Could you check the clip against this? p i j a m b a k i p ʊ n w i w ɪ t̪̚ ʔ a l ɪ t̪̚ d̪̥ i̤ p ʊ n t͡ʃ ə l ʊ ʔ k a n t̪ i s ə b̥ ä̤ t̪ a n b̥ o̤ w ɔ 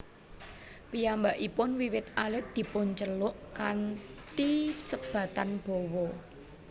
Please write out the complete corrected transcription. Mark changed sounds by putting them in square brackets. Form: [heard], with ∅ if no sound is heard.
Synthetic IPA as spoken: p i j a m b a [ʔ] i p ʊ n w i w ɪ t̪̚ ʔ a l ɪ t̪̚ d̪̥ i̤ p ʊ n t͡ʃ ə l ʊ ʔ k a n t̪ i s ə b̥ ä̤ t̪ a n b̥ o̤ w ɔ

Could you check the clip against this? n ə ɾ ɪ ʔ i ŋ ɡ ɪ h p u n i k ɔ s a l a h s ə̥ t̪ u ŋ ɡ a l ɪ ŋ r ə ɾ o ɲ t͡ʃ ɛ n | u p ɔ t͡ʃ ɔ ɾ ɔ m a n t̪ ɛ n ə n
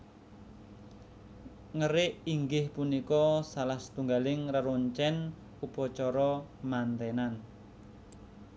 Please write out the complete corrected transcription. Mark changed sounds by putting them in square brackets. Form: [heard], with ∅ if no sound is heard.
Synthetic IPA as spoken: [ŋ] ə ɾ ɪ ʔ i ŋ ɡ ɪ h p u n i k ɔ s a l a h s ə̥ t̪ u ŋ ɡ a l ɪ ŋ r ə ɾ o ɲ t͡ʃ ɛ n | u p ɔ t͡ʃ ɔ ɾ ɔ m a n t̪ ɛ n [a] n

